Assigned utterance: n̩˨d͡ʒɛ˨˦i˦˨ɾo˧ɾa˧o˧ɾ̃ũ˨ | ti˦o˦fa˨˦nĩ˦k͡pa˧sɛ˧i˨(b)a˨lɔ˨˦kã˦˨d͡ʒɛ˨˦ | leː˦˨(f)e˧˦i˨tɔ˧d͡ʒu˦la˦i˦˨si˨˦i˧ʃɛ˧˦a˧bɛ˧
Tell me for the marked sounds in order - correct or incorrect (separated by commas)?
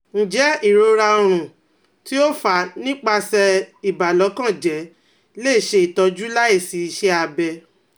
correct, incorrect